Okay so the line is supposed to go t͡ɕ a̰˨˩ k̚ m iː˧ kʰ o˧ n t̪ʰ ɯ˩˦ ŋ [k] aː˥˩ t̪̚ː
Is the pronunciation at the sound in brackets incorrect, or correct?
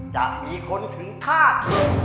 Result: incorrect